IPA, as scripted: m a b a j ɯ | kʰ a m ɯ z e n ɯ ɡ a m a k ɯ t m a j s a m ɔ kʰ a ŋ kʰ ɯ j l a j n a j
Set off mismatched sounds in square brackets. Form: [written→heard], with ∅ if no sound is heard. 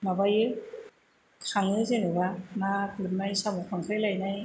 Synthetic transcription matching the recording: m a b a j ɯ | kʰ a [m→ŋ] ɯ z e n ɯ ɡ a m a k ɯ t m a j s a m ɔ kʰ a ŋ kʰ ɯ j l a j n a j